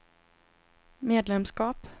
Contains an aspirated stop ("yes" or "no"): no